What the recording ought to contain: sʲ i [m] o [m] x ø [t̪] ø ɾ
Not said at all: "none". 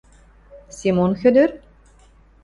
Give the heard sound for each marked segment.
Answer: m, n, d̪

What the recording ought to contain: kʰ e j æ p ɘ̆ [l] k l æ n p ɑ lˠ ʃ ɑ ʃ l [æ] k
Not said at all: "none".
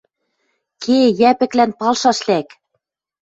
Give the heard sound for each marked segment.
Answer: none, æ

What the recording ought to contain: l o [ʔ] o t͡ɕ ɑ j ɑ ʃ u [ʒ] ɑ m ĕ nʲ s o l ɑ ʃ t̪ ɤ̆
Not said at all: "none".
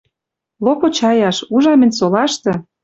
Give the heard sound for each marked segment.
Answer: p, ʒ

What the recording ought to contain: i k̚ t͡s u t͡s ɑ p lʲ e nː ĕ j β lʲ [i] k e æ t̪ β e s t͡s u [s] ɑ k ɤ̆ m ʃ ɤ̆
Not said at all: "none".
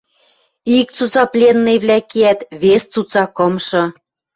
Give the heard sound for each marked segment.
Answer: æ, t͡s

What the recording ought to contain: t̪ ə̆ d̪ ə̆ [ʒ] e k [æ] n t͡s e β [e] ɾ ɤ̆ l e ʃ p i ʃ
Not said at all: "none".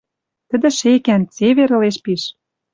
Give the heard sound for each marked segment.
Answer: ʃ, æ, e

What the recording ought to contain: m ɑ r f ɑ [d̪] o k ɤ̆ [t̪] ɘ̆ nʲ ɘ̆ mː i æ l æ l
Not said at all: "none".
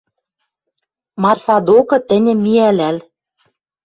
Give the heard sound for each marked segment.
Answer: d̪, t̪

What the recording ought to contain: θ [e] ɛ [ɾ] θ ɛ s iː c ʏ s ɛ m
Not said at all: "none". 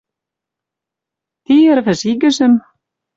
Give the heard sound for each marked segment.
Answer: i, ɾ

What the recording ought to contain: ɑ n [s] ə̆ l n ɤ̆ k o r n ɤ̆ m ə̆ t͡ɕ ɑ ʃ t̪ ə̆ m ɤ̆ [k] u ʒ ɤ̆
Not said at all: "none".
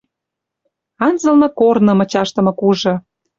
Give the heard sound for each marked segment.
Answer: z, k

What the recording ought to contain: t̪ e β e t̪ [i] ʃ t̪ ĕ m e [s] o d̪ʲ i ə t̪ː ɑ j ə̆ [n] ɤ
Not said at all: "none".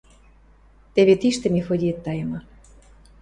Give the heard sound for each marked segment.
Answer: i, f, m

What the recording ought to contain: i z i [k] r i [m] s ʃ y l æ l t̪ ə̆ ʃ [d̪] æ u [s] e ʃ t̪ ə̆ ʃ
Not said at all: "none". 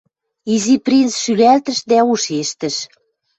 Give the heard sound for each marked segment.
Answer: p, n, d̪, ʃ

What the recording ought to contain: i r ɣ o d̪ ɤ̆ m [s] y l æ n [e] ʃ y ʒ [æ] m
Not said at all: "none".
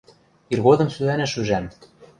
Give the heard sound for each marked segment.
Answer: s, æ, æ

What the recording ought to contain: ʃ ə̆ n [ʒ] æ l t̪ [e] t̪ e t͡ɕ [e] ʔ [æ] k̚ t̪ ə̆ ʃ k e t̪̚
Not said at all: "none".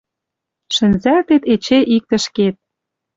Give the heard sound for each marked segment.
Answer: z, e, e, i

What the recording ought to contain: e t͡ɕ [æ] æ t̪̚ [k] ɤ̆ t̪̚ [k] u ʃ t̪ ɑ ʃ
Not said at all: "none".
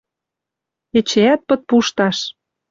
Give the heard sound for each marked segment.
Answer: e, p, p

